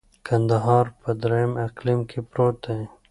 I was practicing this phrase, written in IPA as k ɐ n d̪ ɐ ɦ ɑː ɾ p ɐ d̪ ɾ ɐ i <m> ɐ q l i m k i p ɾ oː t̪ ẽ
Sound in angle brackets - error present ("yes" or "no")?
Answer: no